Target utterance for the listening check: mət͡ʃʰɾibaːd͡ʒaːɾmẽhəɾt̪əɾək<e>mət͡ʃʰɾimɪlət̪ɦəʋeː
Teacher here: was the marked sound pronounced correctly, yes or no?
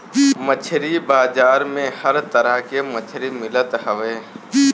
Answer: yes